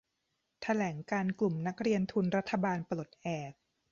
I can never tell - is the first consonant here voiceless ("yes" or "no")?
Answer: yes